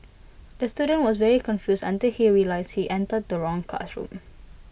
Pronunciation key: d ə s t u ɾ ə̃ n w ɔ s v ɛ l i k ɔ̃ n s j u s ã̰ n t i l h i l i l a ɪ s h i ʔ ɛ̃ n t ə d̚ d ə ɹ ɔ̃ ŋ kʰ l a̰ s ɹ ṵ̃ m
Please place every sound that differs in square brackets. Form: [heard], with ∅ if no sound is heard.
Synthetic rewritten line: d ə s t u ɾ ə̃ n w ɔ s v ɛ [ɹ] i k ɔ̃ n [f] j u s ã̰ n t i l h i [ɹ] i l a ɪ s h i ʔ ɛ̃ n t ə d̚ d ə ɹ ɔ̃ ŋ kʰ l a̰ s ɹ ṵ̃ m